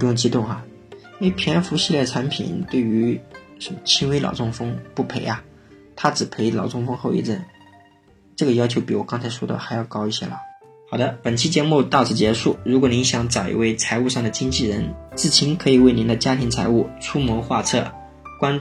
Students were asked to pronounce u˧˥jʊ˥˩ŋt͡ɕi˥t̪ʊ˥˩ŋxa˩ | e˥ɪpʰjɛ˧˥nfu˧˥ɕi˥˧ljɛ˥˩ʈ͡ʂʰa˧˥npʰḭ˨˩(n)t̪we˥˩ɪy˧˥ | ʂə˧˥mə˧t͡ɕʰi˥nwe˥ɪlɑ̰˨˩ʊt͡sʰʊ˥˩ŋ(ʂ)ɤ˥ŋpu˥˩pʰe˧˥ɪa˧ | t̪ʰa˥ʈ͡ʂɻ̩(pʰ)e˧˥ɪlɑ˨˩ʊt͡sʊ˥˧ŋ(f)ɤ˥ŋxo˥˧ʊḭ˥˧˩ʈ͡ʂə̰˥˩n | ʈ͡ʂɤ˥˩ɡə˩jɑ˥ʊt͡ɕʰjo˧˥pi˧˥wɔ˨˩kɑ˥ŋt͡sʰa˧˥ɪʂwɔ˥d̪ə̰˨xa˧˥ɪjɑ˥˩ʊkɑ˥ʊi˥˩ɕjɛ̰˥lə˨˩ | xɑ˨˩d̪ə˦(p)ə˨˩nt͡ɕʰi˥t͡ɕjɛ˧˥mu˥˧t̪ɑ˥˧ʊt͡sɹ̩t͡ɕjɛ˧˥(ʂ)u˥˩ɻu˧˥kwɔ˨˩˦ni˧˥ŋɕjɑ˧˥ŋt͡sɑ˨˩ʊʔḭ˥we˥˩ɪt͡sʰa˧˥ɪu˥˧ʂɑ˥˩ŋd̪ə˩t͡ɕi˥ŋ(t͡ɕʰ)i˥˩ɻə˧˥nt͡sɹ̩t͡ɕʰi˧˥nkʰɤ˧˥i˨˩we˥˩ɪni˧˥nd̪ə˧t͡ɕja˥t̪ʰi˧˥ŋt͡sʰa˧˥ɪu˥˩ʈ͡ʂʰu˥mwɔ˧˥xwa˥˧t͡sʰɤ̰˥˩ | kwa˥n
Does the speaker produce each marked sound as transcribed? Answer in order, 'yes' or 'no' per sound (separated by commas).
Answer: yes, no, yes, yes, yes, yes, no